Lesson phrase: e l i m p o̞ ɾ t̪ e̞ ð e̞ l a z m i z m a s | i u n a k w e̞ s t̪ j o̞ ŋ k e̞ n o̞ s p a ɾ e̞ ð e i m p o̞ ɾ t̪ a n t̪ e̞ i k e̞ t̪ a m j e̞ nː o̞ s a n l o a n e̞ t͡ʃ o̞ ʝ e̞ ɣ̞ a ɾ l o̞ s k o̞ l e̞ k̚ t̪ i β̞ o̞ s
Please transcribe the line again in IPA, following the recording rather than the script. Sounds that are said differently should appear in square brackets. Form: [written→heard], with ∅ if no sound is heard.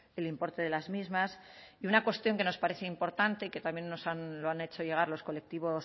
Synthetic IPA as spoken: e l i m p o̞ ɾ t̪ e̞ ð e̞ l a z m i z m a s | i u n a k w e̞ s t̪ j o̞ ŋ k e̞ n o̞ s p a ɾ e̞ [ð→θ] e i m p o̞ ɾ t̪ a n t̪ e̞ i k e̞ t̪ a m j e̞ nː o̞ s a n l o a n e̞ t͡ʃ o̞ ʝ e̞ ɣ̞ a ɾ l o̞ s k o̞ l e̞ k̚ t̪ i β̞ o̞ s